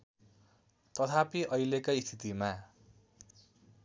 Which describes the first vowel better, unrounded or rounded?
unrounded